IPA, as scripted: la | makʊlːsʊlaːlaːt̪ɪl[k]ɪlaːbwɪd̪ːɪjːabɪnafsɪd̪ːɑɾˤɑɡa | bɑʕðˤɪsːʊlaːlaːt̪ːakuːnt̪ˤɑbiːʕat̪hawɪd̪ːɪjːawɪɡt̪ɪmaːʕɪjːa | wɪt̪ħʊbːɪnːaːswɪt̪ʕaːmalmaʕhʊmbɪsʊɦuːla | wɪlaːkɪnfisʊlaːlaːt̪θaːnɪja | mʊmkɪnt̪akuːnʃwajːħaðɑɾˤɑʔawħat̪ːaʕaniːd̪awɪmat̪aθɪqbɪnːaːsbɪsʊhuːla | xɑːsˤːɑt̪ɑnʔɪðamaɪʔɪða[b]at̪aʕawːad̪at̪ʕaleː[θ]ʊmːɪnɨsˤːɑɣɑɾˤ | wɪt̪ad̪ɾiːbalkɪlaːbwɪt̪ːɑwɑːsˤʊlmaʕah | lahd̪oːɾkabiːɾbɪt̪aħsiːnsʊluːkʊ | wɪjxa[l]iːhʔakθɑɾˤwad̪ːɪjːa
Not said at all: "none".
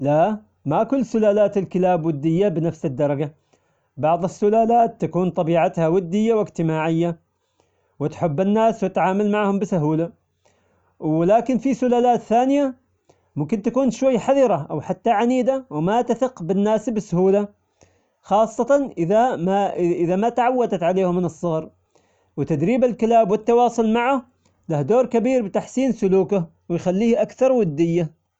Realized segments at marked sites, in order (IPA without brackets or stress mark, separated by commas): k, m, h, lː